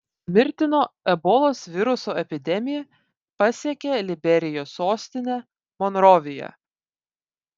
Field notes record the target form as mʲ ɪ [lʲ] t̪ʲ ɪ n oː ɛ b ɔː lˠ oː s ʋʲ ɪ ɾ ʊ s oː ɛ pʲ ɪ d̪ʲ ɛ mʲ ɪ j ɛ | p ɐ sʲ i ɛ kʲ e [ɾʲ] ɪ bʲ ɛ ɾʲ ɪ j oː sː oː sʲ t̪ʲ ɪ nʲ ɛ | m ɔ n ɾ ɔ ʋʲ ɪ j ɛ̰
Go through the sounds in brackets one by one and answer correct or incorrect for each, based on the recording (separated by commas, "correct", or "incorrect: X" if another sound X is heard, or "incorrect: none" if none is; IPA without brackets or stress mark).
incorrect: ɾʲ, incorrect: lʲ